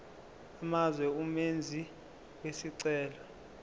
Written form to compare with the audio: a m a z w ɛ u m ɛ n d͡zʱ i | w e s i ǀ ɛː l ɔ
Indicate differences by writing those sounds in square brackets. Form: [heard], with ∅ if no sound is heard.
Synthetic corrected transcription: a m a z w ɛ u m [e] n d͡zʱ i | w e s i ǀ ɛː l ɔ